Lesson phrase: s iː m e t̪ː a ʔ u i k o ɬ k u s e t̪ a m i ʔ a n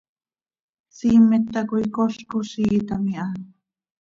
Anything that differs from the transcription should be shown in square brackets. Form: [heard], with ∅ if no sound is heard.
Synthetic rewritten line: s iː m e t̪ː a [k] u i k o ɬ k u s [i] t̪ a m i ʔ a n